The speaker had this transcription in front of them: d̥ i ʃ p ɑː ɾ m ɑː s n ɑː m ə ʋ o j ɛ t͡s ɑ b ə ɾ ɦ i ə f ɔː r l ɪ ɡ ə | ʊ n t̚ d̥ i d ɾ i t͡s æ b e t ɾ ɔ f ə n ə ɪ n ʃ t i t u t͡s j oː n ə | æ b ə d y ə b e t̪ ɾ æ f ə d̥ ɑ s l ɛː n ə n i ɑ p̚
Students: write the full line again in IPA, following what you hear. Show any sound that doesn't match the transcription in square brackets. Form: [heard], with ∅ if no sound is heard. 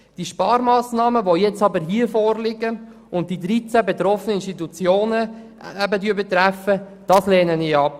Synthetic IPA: d̥ i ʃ p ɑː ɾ m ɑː s n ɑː m ə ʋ o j ɛ t͡s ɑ b ə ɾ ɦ i ə f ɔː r l ɪ ɡ ə | ʊ n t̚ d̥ i d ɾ i t͡s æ b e t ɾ ɔ f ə n ə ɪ n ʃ t i t u t͡s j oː n ə | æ b ə d y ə b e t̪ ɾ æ f ə d̥ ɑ s l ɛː n ə n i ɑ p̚